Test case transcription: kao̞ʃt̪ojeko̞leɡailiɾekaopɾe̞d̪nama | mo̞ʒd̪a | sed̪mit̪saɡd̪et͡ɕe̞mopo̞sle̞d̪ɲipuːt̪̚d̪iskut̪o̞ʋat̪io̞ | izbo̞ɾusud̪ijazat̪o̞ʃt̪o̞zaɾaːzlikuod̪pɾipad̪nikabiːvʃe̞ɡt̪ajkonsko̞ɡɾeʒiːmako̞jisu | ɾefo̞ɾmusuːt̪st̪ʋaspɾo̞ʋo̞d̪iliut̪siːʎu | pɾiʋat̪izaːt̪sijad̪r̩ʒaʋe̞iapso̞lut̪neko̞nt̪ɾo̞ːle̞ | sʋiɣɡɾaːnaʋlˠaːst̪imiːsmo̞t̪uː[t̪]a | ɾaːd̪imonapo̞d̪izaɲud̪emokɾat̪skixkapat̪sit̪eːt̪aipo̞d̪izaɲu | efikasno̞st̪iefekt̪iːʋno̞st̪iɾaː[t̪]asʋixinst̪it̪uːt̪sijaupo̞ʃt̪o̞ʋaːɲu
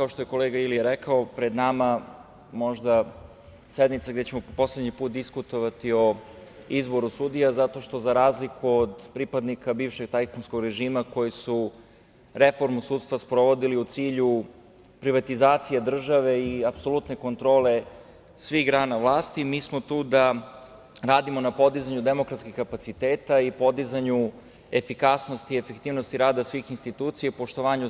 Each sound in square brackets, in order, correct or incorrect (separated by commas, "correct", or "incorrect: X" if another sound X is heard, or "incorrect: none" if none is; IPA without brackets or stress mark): incorrect: d̪, incorrect: d̪